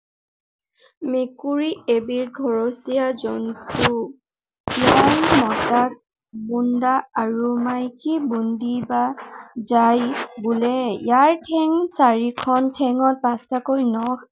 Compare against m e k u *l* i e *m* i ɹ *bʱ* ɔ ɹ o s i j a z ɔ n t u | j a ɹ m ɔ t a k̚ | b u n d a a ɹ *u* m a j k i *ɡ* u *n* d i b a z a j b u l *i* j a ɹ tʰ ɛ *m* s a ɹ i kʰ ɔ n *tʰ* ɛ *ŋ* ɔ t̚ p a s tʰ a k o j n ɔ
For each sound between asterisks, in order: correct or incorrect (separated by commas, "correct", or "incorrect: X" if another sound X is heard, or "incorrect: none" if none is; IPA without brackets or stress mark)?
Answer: incorrect: ɹ, incorrect: b, incorrect: ɡʱ, correct, incorrect: b, correct, incorrect: ɛ, incorrect: ŋ, correct, correct